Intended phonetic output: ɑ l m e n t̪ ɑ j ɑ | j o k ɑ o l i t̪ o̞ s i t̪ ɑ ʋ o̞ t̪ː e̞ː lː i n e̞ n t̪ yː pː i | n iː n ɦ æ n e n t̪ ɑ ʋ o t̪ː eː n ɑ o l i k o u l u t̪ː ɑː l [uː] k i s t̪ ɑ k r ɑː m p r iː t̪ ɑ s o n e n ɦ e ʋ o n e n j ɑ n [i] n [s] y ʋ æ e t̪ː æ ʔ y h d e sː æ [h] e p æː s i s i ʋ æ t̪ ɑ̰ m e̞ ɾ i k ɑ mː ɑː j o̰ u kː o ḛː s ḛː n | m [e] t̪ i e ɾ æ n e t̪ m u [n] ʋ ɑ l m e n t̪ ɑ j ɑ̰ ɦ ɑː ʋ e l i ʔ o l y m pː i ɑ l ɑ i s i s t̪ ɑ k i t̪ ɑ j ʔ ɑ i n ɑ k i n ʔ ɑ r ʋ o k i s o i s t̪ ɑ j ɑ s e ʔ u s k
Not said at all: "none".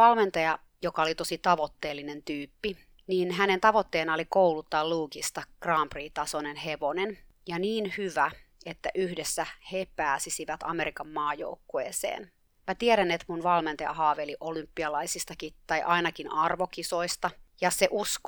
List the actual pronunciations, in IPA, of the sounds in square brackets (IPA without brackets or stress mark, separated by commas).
uː, iː, h, h, æ, n